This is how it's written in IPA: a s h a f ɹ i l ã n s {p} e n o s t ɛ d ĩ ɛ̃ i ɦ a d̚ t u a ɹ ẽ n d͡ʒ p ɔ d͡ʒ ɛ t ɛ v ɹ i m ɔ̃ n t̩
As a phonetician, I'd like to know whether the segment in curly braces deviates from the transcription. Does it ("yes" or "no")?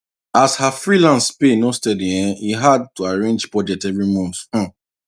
no